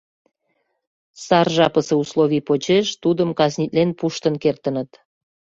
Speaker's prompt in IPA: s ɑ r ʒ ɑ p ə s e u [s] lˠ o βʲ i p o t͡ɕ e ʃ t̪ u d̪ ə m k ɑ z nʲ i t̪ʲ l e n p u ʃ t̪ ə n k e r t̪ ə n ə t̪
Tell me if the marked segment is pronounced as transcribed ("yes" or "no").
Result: yes